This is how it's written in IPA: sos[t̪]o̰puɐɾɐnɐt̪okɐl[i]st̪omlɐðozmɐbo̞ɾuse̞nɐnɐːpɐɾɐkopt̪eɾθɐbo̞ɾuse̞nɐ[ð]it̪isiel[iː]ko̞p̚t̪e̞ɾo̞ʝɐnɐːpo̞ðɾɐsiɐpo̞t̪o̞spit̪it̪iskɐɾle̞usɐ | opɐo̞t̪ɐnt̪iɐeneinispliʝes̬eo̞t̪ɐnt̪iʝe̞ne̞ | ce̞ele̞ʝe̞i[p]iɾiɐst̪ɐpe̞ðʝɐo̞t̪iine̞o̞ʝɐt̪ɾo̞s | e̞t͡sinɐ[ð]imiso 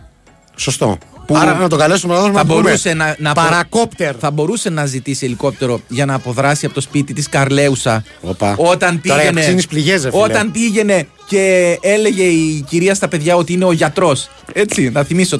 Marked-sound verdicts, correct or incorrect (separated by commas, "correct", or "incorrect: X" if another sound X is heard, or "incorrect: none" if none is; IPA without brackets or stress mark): correct, incorrect: e, incorrect: z, incorrect: i, incorrect: c, incorrect: θ